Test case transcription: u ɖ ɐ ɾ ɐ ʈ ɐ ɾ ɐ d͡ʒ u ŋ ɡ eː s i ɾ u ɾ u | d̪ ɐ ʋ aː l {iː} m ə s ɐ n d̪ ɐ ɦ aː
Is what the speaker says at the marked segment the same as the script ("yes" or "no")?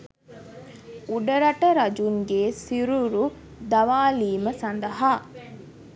yes